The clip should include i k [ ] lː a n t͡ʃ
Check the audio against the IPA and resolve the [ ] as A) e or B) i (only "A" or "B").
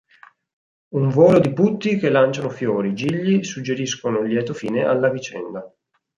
A